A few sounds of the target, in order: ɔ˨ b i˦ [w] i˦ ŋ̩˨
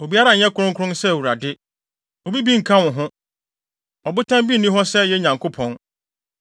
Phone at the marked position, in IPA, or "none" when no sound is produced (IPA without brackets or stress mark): b